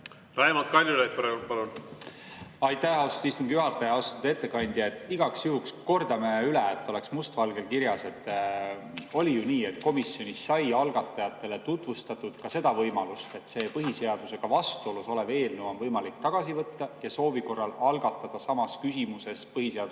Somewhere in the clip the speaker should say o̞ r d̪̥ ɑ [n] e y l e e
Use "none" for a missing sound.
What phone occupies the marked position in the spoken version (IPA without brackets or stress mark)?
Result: m